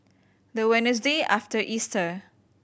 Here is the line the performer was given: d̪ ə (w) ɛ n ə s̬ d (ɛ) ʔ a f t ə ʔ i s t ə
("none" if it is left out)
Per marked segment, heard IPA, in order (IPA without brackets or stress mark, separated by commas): w, e